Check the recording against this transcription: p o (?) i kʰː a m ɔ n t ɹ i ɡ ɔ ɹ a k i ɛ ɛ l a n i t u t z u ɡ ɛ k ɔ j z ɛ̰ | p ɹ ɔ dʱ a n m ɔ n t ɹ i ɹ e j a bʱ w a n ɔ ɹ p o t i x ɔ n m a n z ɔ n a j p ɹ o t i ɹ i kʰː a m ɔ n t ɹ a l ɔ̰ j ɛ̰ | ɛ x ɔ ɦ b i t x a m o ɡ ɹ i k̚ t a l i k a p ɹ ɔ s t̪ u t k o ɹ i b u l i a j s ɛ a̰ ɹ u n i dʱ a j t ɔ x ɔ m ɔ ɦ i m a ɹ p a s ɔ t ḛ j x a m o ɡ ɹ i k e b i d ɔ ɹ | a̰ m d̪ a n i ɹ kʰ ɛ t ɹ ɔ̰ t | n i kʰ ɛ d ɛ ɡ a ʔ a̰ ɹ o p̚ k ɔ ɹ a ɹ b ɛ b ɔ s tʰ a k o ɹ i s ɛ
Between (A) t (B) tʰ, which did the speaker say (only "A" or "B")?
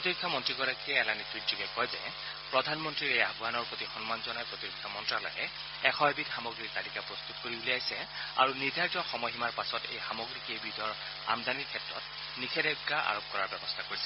A